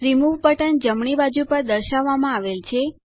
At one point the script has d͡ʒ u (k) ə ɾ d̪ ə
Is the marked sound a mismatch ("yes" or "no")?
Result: yes